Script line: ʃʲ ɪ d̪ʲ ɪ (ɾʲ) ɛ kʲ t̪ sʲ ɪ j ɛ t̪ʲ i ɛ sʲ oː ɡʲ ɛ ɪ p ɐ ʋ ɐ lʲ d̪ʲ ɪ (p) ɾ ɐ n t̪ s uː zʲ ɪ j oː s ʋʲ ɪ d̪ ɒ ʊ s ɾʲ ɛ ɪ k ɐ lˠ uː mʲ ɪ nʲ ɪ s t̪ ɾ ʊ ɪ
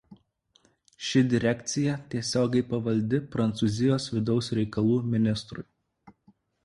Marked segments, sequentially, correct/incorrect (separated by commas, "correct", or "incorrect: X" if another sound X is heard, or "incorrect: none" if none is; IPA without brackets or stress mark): correct, correct